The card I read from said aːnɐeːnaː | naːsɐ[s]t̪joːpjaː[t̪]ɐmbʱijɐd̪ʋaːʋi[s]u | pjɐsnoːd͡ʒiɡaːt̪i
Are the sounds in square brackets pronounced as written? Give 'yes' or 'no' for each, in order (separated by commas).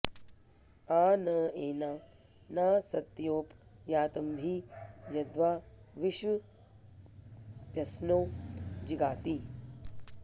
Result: no, yes, no